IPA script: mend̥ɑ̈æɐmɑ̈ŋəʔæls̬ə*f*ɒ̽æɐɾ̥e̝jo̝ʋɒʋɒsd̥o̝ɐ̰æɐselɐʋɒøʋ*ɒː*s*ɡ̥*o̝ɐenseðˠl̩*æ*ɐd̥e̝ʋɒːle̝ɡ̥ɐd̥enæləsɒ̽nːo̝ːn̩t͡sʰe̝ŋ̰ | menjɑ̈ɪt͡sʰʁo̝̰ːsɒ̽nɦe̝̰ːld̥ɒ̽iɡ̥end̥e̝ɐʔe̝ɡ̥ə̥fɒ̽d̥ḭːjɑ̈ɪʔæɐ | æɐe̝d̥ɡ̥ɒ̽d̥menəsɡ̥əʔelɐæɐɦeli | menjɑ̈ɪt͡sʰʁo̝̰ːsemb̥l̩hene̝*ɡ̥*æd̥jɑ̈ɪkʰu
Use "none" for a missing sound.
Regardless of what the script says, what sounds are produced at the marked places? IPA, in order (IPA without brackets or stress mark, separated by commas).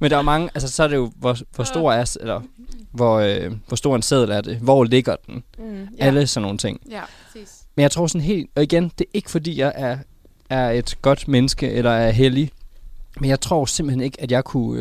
s, ɒ, d̥, æ, ɡ̥